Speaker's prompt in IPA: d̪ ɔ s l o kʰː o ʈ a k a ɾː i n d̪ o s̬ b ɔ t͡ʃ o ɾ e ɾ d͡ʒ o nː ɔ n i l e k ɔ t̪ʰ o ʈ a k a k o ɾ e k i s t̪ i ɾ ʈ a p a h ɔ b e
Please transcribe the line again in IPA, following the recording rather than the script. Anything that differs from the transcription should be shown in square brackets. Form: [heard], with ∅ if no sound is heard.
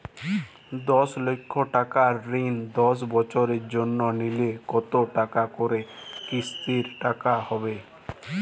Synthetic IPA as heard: d̪ ɔ s l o kʰː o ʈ a k a ɾː i n d̪ [ɔ] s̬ b ɔ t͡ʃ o ɾ e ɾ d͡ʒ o nː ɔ n i l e k ɔ [t̪] o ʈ a k a k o ɾ e k i s t̪ i ɾ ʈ a [k] a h ɔ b e

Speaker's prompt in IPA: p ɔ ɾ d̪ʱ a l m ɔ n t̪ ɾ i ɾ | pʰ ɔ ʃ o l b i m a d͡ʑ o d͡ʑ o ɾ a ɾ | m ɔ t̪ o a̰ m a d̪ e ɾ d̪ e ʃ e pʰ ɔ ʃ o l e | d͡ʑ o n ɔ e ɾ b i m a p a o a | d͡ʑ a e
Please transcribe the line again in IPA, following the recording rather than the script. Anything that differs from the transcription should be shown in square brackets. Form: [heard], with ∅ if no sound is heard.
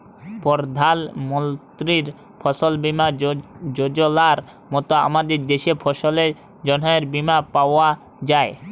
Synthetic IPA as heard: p ɔ ɾ d̪ʱ a l m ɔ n t̪ ɾ i ɾ | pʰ ɔ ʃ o l b i m a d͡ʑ o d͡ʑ o [l] a ɾ | m ɔ t̪ o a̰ m a d̪ e ɾ d̪ e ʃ e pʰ ɔ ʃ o l e | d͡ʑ [ɔ] n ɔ e ɾ b i m a p a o a | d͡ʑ a e

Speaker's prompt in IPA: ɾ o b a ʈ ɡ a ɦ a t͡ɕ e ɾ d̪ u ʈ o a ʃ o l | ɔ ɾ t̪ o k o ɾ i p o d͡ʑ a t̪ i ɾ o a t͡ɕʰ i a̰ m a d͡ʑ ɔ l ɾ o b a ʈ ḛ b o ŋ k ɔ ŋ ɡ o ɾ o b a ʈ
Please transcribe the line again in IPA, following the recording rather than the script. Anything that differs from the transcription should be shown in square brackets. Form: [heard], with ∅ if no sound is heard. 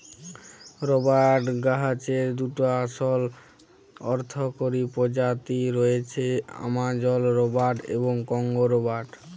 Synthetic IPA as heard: ɾ o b a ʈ ɡ a ɦ a t͡ɕ e ɾ d̪ u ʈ o a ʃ o l | ɔ ɾ [t̪ʰ] o k o ɾ i p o d͡ʑ a t̪ i ɾ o [e] t͡ɕʰ [e] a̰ m a d͡ʑ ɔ l ɾ o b a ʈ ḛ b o ŋ k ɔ ŋ ɡ o ɾ o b a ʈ

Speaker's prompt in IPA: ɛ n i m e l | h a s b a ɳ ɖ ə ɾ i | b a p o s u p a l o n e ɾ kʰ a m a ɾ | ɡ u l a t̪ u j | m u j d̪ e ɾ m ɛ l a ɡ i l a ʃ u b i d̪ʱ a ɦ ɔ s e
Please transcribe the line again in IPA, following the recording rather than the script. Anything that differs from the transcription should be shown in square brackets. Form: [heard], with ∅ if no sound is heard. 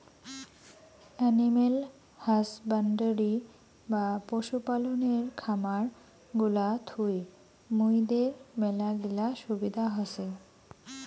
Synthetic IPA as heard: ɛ n i m e l | h a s b a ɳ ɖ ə ɾ i | b a p o [ʃ] u p a l o n e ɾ kʰ a m a ɾ | ɡ u l a [t̪ʰ] u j | m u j d̪ e ɾ m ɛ l a ɡ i l a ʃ u b i d̪ʱ a ɦ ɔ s e

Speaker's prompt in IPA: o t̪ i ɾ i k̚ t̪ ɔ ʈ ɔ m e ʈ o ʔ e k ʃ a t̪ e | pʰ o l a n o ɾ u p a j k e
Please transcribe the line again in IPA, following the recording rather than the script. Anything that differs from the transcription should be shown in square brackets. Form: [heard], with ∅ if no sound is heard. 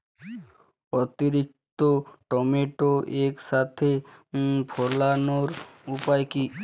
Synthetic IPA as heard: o t̪ i ɾ i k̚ t̪ [o] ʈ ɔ m e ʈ o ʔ e k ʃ a [t̪ʰ] e | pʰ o l a n o ɾ u p a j k [i]

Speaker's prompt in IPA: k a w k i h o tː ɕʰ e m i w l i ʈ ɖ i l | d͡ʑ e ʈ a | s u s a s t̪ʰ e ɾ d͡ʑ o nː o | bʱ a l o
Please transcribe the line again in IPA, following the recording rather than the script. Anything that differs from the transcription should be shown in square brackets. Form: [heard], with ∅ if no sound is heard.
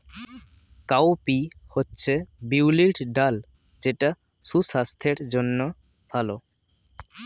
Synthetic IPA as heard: k a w [p] i h o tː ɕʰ e [b] i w l i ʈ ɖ [a] l | d͡ʑ e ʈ a | s u s a s t̪ʰ e ɾ d͡ʑ o nː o | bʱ a l o

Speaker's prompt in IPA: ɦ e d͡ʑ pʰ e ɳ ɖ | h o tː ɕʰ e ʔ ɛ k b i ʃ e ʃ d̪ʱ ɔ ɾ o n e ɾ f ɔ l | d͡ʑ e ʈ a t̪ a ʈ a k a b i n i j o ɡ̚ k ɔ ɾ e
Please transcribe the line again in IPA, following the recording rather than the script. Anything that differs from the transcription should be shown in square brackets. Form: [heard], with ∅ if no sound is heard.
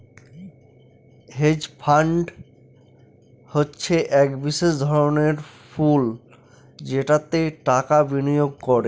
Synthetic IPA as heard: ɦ e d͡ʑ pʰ [a] ɳ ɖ | h o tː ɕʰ e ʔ ɛ k b i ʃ e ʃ d̪ʱ ɔ ɾ o n e ɾ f [u] l | d͡ʑ e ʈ a t̪ [e] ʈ a k a b i n i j o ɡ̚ k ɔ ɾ e

